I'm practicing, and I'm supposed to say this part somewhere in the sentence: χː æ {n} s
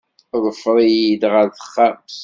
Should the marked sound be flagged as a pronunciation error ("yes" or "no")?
yes